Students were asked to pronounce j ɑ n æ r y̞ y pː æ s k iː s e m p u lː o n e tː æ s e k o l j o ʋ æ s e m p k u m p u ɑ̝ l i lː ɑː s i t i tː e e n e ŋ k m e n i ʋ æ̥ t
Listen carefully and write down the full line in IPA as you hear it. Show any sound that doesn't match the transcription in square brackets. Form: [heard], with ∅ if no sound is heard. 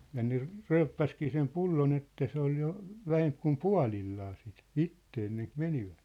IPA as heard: j ɑ n [e] r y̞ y pː æ s k iː s e m p u lː o n e tː æ s e [∅] o l j o ʋ æ [h] e m p k u m p u ɑ̝ l i lː ɑː s i t i tː e e [nː] e ŋ k m e n i ʋ æ̥ t